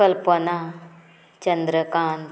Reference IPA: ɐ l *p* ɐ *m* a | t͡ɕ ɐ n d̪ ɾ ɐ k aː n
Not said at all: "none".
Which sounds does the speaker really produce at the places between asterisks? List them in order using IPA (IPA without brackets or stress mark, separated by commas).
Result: p, n